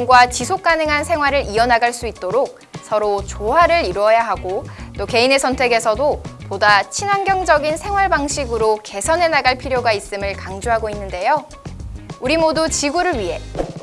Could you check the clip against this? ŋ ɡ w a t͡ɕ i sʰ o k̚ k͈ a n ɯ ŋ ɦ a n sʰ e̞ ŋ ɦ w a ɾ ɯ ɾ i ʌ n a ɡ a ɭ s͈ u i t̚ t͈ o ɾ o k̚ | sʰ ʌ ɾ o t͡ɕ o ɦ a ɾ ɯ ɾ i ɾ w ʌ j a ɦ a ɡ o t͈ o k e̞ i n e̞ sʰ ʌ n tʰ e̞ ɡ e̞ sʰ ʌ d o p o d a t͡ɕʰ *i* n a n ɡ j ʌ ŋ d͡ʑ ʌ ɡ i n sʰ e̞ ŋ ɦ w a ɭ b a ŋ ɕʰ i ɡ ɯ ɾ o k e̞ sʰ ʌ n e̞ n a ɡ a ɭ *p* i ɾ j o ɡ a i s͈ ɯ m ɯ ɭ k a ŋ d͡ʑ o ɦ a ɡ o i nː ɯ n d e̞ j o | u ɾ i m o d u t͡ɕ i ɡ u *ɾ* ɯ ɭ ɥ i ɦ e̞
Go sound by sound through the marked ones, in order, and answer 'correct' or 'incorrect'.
correct, incorrect: pʰ, correct

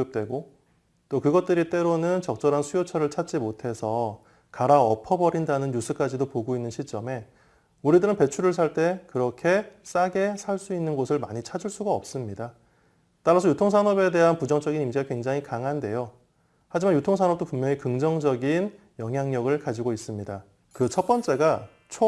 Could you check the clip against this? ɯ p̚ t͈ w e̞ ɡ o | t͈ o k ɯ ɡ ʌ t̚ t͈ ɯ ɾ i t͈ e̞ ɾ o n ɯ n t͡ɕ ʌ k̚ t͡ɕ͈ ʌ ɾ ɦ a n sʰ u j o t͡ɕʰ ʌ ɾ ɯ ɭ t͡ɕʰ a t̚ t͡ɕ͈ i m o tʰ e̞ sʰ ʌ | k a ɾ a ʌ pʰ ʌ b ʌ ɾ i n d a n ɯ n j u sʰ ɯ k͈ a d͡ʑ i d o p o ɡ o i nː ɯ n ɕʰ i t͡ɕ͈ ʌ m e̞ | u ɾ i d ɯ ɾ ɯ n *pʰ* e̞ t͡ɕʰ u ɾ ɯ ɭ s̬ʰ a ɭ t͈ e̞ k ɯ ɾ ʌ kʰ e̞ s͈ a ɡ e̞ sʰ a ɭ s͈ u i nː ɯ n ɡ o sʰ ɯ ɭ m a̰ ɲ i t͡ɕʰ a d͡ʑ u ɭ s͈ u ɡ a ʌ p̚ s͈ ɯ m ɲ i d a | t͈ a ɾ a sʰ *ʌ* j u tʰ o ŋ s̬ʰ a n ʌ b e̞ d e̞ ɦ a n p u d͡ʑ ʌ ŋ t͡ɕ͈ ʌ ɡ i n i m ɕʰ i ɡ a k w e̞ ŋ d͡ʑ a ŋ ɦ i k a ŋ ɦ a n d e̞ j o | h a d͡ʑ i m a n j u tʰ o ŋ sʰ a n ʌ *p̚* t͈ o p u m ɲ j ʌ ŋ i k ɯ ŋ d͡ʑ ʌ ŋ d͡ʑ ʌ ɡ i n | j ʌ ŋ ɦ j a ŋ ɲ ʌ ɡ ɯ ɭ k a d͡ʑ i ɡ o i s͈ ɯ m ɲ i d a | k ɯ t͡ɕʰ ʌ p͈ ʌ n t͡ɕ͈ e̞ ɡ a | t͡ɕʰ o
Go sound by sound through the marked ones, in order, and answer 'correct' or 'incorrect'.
incorrect: p, correct, correct

